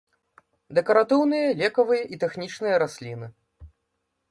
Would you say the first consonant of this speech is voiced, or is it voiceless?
voiced